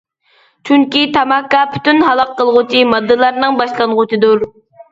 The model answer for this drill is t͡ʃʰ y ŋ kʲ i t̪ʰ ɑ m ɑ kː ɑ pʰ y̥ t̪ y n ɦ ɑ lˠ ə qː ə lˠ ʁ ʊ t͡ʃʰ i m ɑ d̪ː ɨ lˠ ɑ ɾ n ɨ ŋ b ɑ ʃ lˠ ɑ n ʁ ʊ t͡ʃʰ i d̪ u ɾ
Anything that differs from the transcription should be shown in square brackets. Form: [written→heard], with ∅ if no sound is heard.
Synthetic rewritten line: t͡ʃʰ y ŋ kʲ i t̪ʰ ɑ m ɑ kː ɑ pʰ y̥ t̪ y n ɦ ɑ lˠ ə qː ə lˠ ʁ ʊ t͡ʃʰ i m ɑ d̪ː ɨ lˠ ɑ ɾ n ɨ ŋ b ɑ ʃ lˠ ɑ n ʁ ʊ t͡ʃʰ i d̪ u ɾ